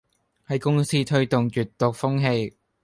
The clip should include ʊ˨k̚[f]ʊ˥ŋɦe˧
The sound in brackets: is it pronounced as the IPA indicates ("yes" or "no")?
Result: yes